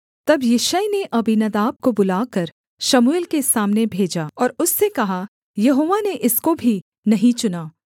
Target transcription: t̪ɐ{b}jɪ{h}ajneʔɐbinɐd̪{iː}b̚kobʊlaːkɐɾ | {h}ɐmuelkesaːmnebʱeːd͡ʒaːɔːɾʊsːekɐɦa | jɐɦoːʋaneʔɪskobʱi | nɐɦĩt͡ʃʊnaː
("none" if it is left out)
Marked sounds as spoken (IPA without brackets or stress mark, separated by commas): b, ʃ, aː, ʃ